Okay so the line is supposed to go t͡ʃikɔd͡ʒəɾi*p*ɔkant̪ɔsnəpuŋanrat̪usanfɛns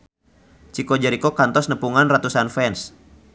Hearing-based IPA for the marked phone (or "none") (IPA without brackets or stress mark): k